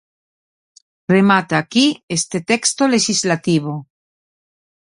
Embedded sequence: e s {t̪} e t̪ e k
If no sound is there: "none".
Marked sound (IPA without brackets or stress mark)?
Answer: t̪